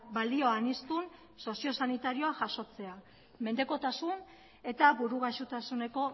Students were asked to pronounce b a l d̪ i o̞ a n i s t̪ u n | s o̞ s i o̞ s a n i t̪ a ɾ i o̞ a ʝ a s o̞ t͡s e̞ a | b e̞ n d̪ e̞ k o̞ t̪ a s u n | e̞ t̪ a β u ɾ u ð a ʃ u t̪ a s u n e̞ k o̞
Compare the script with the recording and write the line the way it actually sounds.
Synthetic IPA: b a l d̪ i o̞ a n i s t̪ u n | s o̞ s i o̞ s a n i t̪ a ɾ i o̞ a ʝ a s o̞ t͡s e̞ a | m e̞ n d̪ e̞ k o̞ t̪ a s u n | e̞ t̪ a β u ɾ u ɣ a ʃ u t̪ a s u n e̞ k o̞